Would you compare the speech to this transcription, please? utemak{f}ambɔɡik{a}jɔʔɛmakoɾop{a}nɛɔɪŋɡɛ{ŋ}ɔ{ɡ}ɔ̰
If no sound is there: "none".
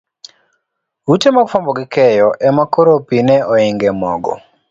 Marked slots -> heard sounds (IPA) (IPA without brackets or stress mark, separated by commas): f, ɛ, i, m, ɡ